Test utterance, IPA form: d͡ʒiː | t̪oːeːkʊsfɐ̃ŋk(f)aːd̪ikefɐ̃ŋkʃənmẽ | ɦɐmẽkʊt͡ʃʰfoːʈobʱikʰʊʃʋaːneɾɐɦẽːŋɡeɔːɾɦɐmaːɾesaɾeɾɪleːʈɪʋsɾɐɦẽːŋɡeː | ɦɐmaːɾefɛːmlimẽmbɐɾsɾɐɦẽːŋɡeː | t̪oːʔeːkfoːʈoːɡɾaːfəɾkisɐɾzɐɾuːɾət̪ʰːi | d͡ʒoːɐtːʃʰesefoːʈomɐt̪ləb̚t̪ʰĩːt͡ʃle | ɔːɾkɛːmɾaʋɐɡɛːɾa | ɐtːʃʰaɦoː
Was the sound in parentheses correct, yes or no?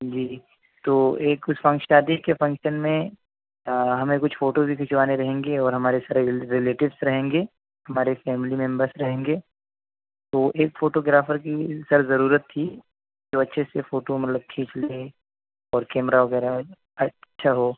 no